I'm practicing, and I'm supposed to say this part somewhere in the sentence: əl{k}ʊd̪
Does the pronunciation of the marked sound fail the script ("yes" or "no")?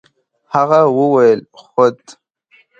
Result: yes